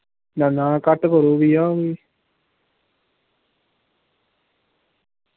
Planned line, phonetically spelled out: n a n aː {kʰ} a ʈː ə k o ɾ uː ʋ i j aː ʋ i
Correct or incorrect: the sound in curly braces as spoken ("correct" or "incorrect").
incorrect